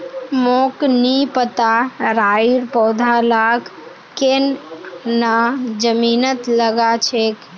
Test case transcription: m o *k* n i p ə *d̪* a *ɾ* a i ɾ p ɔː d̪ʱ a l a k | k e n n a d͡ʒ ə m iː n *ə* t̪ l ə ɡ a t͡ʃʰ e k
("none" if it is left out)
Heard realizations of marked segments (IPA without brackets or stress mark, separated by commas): k, t̪, ɾ, ə